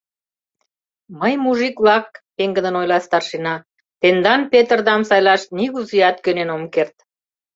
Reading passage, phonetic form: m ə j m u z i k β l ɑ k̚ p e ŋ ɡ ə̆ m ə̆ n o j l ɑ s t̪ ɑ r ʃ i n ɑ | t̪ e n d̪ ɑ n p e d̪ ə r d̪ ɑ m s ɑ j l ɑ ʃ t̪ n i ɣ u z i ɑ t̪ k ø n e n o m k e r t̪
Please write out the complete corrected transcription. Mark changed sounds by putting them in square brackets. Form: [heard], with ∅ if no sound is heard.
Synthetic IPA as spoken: m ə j m u [ʒ] i k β l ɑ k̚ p e ŋ ɡ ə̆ [n] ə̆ n o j l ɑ s t̪ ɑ r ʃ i n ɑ | t̪ e n d̪ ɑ n p e [t̪] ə r d̪ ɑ m s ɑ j l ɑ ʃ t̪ n i ɣ u z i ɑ t̪ k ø n e n o m k e r t̪